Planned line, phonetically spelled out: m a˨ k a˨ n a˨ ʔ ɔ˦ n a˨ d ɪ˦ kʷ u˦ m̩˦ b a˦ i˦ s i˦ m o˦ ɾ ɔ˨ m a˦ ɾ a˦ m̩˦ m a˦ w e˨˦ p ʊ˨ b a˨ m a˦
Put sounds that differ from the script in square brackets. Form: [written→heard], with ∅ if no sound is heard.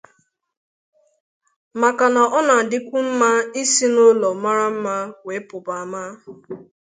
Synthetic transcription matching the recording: m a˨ k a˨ n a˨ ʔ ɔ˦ n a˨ d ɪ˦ kʷ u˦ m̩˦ [b→m] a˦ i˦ s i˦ [m→n] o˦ [ɾ→l] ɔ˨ m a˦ ɾ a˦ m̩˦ m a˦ w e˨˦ p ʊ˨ b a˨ m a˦